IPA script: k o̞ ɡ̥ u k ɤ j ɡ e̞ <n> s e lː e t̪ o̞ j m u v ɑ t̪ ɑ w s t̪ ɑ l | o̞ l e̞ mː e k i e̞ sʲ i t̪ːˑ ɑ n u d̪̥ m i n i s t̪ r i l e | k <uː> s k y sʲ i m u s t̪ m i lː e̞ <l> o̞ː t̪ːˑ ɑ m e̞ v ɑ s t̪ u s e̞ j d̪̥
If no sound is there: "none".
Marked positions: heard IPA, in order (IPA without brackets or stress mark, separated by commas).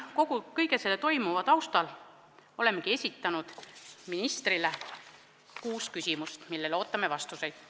none, uː, l